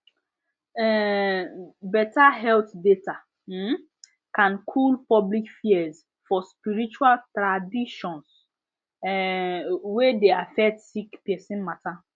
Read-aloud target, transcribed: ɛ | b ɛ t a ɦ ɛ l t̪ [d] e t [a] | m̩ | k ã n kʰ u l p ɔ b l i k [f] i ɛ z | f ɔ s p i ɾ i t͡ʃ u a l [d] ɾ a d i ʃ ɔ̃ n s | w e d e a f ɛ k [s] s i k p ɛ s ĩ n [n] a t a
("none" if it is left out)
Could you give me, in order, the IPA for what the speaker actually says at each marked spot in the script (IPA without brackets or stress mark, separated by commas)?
d, a, f, t, t, m